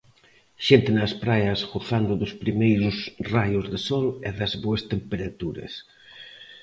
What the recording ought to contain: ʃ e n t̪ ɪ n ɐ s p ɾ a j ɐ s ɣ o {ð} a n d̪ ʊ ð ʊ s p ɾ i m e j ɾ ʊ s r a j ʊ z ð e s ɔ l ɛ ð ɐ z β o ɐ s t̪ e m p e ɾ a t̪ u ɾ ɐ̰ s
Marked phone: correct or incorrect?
incorrect